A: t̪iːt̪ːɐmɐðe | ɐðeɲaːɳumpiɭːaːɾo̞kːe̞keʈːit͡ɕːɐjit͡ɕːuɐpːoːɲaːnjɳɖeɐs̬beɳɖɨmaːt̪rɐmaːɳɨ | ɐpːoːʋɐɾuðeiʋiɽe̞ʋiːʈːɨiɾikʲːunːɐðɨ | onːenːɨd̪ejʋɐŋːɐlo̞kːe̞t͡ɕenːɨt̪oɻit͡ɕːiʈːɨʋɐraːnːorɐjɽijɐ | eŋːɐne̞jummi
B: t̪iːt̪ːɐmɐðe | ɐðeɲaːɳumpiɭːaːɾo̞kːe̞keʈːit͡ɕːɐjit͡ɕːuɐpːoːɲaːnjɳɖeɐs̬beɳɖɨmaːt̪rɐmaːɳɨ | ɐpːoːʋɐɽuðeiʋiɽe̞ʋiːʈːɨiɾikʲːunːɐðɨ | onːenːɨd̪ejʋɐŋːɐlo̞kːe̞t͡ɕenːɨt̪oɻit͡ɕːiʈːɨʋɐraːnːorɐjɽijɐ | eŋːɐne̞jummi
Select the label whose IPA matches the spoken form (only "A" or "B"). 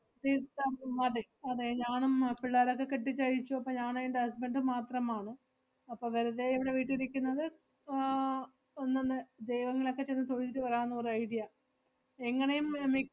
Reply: A